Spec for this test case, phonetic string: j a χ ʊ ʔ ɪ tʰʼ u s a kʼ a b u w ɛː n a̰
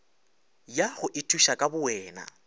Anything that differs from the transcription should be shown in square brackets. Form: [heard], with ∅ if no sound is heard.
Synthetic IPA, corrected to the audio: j a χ ʊ ʔ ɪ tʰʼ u [ʃ] a kʼ a b [ʊ] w ɛː n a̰

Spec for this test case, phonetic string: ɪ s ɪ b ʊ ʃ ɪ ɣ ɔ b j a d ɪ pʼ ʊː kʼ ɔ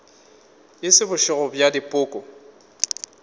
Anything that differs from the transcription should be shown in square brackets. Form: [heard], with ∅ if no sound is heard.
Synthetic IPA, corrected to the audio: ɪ s ɪ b ʊ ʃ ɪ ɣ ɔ b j a d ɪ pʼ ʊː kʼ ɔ

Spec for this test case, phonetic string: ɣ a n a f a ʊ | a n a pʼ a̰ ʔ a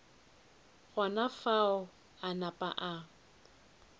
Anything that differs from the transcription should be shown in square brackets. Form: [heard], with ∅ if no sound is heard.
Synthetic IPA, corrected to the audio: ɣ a n a f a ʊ | a n a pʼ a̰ ʔ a

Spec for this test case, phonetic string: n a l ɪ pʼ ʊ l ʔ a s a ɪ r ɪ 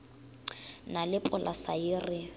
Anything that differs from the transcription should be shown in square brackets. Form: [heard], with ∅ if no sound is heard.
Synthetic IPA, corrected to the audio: n a l ɪ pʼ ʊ l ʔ a s a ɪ r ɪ

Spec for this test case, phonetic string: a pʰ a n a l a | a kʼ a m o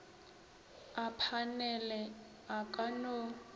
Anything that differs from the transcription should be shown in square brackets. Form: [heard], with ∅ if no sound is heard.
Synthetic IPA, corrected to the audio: a pʰ a n [ɛ] l [ɛ] | a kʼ a [n] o

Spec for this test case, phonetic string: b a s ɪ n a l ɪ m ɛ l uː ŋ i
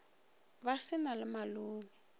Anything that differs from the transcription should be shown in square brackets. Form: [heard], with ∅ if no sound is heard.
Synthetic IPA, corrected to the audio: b a s ɪ n a l ɪ m [a] l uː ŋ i

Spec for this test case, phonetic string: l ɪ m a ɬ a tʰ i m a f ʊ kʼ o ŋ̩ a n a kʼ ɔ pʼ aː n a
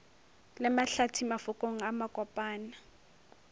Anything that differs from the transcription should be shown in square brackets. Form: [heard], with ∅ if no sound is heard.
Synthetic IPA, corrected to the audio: l ɪ m a ɬ a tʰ i m a f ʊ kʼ o ŋ̩ a [m] a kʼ ɔ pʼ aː n a

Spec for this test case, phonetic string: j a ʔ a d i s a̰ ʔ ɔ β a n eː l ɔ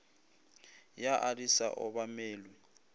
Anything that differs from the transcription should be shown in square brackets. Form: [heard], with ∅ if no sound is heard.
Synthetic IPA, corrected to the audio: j a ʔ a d i s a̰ ʔ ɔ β a [m] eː l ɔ

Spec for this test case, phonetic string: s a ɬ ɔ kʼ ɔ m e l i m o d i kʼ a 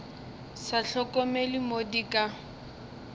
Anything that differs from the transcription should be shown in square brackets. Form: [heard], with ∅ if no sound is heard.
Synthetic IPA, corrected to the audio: s a ɬ ɔ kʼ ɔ m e l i m o d i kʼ a

